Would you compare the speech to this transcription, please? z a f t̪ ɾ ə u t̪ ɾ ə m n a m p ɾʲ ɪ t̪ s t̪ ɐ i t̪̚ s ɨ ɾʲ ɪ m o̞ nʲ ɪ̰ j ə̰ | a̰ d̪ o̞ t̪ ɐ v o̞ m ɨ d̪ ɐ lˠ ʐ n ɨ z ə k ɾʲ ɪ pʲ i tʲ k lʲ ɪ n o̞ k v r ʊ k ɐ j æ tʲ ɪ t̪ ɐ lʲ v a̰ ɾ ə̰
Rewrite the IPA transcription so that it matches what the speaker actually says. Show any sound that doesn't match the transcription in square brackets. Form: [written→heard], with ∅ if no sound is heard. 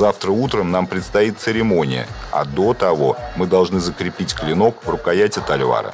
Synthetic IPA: z a f t̪ ɾ ə u t̪ ɾ ə m n a m p ɾʲ ɪ t̪ s t̪ ɐ i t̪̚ s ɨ ɾʲ ɪ m o̞ nʲ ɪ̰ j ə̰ | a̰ d̪ o̞ t̪ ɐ v o̞ m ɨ d̪ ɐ lˠ ʐ n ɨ z ə k ɾʲ ɪ pʲ i tʲ k lʲ ɪ n o̞ k v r ʊ k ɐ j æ tʲ ɪ t̪ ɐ lʲ v a̰ ɾ ə̰